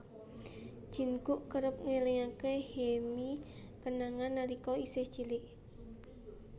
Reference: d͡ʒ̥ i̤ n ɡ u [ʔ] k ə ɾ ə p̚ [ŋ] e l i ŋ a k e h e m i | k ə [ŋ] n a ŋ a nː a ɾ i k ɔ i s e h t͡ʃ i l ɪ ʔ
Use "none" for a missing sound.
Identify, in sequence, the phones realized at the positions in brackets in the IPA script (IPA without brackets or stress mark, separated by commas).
ʔ, ŋ, none